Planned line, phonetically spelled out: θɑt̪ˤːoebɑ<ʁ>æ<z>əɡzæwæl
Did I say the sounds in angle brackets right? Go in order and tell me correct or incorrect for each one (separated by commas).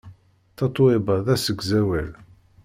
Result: incorrect, incorrect